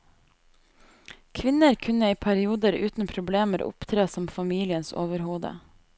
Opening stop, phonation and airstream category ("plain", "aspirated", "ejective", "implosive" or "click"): aspirated